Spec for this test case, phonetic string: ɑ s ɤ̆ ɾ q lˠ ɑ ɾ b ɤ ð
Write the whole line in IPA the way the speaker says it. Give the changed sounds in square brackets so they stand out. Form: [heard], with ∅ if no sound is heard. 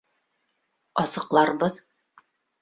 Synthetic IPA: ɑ s ɤ̆ [∅] q lˠ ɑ ɾ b ɤ ð